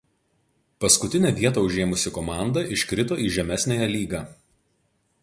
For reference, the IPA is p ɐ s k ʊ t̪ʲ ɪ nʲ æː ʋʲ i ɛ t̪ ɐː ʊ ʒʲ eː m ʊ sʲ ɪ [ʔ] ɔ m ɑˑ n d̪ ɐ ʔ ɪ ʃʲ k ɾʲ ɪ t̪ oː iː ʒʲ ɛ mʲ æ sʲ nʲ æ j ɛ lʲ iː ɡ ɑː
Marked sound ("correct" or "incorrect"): incorrect